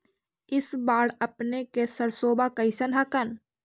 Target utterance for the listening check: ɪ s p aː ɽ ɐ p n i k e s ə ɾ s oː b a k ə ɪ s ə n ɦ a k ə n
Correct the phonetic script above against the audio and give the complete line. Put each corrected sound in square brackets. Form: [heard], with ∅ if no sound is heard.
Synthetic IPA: ɪ s [b] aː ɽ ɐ p n [e] k e s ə ɾ s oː b a k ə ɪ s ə n ɦ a k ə n